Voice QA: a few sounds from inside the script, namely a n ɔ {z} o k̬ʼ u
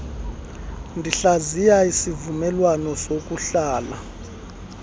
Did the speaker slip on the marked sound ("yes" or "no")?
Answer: yes